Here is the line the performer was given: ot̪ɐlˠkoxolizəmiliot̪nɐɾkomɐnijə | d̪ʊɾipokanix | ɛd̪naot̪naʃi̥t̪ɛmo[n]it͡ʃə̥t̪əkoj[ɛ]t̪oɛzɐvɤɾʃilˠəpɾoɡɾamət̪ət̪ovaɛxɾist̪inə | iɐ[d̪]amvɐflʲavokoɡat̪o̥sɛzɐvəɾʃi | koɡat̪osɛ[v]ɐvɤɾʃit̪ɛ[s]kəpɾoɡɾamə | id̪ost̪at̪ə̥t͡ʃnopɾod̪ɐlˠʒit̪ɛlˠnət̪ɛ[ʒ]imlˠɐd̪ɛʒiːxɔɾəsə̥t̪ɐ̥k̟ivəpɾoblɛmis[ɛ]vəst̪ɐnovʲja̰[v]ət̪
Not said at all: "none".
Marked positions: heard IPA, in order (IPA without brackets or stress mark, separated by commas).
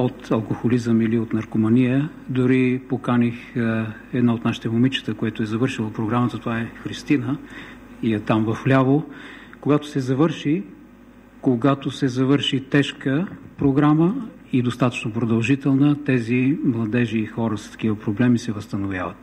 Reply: m, ɛ, t̪, z, ʃ, z, ɛ, v